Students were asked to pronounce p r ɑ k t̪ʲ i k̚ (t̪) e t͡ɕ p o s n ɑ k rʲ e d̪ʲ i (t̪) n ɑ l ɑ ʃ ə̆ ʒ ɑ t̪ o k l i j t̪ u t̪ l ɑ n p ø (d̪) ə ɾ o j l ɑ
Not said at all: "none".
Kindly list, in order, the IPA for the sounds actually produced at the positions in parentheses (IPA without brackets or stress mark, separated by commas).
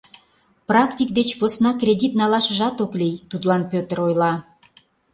d̪, t̪, t̪